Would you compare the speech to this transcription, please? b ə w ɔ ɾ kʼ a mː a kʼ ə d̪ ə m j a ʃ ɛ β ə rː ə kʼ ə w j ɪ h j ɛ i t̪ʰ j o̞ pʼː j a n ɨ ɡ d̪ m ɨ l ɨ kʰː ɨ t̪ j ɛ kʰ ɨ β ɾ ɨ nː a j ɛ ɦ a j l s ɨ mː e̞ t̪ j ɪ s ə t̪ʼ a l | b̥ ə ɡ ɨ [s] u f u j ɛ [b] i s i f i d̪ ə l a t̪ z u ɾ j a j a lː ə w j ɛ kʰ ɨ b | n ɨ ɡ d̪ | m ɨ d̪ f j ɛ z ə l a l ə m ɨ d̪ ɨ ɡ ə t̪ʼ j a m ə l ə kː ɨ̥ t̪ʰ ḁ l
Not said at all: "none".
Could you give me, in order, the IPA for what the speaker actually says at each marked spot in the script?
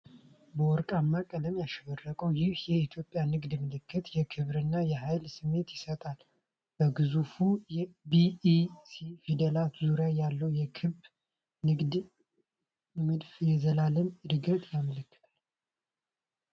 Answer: z, b

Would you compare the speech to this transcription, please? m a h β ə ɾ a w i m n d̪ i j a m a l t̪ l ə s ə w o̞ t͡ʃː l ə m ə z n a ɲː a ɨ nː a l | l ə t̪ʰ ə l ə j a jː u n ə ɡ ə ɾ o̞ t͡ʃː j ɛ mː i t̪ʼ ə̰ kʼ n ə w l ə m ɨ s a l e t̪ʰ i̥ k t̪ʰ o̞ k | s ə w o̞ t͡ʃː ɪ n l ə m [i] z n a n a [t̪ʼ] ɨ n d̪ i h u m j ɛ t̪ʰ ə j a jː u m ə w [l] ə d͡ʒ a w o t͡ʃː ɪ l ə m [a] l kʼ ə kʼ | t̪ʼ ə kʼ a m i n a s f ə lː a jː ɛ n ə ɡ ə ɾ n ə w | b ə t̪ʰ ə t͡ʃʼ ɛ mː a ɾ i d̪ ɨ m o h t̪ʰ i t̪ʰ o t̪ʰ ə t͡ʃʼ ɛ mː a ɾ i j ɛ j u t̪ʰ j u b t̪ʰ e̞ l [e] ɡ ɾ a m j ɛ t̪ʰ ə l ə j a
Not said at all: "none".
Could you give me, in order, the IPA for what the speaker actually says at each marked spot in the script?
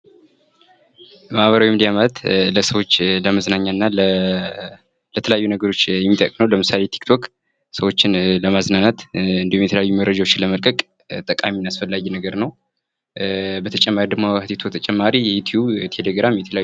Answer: a, t̪, ɾ, ə, e

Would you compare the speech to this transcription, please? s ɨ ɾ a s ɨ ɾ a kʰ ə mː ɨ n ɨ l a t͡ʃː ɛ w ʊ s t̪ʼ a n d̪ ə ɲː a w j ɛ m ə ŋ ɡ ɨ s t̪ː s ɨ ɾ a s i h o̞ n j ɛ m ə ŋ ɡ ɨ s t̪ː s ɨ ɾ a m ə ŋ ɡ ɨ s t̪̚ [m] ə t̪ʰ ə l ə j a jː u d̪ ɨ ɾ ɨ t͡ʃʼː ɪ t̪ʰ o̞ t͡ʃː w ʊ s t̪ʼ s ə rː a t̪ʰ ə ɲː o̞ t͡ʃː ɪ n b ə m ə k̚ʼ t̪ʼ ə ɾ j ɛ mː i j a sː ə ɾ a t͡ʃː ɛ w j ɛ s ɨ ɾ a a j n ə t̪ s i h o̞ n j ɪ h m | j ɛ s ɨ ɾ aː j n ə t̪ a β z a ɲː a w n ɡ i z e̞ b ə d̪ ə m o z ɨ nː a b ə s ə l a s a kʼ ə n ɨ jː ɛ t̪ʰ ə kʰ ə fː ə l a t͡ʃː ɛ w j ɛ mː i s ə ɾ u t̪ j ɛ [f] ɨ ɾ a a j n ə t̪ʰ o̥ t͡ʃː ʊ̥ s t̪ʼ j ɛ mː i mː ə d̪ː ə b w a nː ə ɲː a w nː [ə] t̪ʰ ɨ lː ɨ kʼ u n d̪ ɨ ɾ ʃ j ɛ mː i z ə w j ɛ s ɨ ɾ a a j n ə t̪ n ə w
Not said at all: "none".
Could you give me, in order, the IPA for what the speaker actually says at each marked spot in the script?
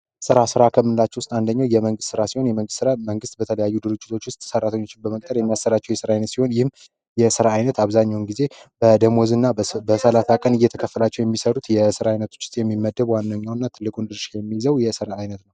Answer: b, s, a

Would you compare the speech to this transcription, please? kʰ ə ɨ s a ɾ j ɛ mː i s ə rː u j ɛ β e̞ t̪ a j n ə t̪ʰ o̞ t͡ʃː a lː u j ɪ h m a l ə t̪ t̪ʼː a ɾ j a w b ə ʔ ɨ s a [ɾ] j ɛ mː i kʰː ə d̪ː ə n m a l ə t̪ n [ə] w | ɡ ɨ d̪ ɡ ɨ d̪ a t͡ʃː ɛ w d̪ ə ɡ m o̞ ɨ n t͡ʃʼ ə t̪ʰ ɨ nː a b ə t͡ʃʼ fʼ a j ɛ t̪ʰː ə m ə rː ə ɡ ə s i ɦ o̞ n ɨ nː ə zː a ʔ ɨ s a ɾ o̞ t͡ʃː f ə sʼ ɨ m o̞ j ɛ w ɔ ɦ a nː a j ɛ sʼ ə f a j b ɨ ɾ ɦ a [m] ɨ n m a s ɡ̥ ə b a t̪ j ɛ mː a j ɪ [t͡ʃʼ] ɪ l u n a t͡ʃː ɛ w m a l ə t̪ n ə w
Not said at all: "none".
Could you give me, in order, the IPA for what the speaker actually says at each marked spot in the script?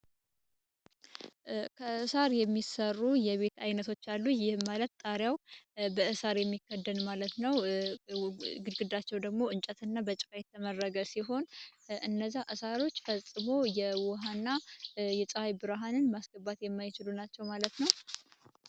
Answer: ɾ, ə, n, t͡ʃ

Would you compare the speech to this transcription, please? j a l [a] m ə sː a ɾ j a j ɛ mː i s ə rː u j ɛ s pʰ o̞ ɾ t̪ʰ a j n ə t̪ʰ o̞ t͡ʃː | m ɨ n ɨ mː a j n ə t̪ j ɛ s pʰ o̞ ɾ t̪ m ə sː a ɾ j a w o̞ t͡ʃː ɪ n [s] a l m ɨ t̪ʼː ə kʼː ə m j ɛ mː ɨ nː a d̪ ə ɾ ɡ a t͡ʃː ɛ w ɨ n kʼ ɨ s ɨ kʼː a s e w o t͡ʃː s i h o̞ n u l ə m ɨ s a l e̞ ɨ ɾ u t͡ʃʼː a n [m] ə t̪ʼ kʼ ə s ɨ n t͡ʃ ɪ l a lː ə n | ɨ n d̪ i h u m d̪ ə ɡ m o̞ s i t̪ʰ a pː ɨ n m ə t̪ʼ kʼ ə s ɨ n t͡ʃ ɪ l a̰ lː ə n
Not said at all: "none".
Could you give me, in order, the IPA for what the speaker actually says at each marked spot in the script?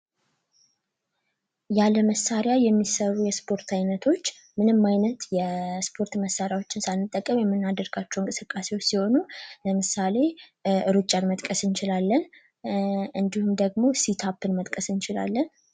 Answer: ə, s, m

